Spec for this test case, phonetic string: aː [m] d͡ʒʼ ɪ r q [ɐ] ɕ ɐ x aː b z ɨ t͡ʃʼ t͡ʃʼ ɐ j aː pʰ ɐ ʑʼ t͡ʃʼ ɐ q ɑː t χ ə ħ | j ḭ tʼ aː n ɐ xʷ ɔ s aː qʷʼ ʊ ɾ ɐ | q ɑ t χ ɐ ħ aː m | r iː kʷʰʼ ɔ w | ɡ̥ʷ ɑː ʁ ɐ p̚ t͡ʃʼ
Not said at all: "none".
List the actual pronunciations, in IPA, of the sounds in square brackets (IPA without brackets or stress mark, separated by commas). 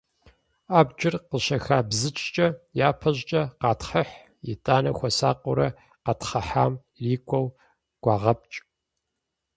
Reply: b, ə